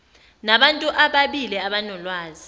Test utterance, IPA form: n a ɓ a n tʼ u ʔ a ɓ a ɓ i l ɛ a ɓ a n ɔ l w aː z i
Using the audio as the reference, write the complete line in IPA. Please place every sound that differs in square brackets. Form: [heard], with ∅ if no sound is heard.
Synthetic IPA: n a ɓ a n tʼ u ʔ a ɓ a ɓ i l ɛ a ɓ a n ɔ l w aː z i